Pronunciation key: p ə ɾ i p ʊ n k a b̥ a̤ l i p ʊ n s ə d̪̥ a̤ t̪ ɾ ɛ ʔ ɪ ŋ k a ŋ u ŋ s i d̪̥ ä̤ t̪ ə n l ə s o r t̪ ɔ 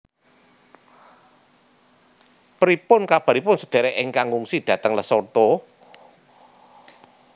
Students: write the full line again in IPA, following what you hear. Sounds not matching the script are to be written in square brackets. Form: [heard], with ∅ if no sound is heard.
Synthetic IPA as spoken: p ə ɾ i p ʊ n k a b̥ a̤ [ɾ] i p ʊ n s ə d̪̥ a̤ [∅] ɾ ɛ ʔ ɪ ŋ k a ŋ u ŋ s i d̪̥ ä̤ t̪ ə [ŋ] l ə s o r t̪ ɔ